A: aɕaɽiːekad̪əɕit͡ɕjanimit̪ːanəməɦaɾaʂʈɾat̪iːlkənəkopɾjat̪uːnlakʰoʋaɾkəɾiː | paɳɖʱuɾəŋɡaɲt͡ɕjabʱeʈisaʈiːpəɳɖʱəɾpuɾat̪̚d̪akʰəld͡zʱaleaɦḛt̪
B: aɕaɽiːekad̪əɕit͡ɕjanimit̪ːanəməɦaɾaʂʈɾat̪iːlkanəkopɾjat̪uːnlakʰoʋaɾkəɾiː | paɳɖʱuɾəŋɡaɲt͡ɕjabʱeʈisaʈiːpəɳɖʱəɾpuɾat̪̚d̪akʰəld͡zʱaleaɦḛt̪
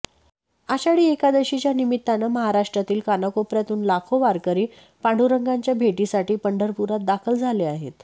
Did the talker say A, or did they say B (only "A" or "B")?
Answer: B